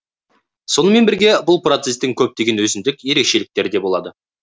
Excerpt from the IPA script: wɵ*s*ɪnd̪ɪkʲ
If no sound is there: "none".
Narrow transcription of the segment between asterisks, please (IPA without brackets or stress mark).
z